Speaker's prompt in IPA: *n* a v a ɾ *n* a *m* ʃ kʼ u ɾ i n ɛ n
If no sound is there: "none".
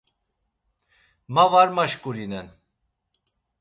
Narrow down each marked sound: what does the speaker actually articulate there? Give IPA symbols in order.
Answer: m, m, none

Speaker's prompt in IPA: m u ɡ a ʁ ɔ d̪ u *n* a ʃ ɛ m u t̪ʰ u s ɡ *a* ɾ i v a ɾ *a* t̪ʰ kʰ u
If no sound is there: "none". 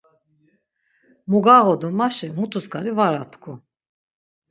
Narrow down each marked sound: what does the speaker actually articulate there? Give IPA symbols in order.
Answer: m, a, a

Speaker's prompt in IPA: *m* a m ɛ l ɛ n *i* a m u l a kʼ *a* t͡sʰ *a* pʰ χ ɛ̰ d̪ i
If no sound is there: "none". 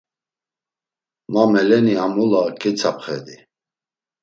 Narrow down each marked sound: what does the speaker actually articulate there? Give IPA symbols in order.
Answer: m, i, ɛ, a

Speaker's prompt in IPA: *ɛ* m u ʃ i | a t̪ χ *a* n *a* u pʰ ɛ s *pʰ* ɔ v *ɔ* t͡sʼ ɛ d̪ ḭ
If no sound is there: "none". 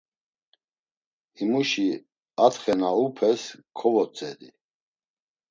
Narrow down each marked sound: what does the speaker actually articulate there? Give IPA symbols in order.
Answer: i, ɛ, a, kʰ, ɔ

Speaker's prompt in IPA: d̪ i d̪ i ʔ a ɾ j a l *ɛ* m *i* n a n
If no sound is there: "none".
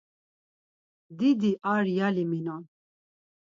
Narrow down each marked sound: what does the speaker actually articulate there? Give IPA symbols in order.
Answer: i, i

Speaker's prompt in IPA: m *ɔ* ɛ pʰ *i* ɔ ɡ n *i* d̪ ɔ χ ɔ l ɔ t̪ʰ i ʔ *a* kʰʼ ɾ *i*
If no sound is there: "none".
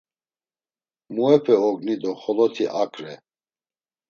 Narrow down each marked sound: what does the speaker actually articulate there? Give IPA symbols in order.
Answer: u, ɛ, i, a, ɛ

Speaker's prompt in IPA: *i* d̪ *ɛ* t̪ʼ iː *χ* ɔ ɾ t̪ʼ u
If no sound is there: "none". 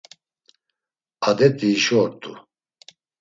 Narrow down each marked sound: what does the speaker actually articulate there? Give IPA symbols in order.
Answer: a, ɛ, ʃ

